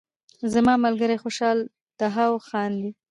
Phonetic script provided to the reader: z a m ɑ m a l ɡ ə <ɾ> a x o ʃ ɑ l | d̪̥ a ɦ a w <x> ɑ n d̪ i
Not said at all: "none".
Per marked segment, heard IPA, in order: ɾ, x

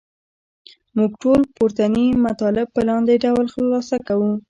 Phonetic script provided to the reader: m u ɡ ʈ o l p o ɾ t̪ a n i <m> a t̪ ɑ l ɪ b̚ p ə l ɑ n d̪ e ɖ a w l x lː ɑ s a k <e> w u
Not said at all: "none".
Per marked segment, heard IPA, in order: m, a

